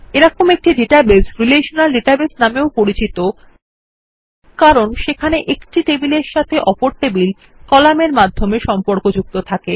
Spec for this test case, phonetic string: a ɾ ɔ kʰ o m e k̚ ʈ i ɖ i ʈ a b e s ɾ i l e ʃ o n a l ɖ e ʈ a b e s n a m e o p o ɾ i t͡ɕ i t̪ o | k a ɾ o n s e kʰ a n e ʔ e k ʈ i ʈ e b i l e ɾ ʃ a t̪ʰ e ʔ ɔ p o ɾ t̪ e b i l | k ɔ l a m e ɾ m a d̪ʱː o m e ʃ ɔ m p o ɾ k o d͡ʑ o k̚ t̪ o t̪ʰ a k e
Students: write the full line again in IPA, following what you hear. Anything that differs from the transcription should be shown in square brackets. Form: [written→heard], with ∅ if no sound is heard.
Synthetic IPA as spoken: [a→e] ɾ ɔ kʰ o m e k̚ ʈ i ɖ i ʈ a b e s ɾ i l e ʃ o n a l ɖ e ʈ a b e s n a m e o p o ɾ i t͡ɕ i t̪ o | k a ɾ o n [s→ʃ] e kʰ a n e ʔ e k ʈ i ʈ e b i l e ɾ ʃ a t̪ʰ e ʔ ɔ p o ɾ t̪ e b i l | k ɔ l a m e ɾ m a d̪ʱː o m e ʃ ɔ m p o ɾ k o d͡ʑ [o→u] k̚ t̪ o t̪ʰ a k e